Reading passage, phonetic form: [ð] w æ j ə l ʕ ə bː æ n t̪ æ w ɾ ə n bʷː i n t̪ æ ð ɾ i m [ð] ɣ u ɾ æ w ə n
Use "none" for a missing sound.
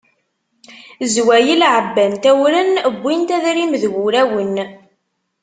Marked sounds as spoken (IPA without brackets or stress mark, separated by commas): z, ð